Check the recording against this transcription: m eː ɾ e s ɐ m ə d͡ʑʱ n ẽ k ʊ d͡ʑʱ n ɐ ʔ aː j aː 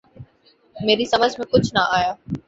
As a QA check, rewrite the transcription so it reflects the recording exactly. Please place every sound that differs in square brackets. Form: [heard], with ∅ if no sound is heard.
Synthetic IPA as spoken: m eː ɾ [i] s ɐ m ə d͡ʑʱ [m] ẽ k ʊ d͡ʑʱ n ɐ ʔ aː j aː